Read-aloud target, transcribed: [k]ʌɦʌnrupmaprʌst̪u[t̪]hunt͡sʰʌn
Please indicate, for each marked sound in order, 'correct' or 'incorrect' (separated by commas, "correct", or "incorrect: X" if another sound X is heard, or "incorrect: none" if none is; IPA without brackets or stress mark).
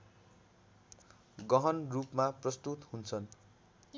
incorrect: ɡ, correct